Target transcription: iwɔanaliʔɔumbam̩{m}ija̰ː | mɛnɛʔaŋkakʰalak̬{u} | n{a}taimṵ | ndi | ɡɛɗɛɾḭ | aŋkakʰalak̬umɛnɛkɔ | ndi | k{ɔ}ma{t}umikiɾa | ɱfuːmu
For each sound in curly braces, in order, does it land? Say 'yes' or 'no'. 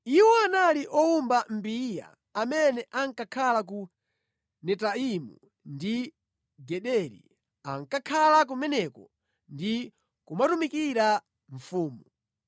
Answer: no, yes, no, no, yes

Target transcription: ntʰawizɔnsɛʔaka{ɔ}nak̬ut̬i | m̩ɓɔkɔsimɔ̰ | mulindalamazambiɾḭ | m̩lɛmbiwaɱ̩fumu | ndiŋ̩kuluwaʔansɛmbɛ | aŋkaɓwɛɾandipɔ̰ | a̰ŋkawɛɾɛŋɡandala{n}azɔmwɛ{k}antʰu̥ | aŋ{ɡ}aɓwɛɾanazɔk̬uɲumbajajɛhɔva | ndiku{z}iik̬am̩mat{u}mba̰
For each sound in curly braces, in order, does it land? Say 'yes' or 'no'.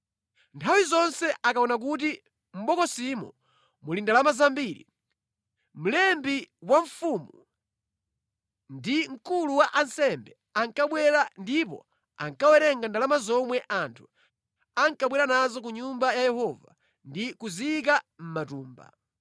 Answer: yes, no, no, no, yes, no

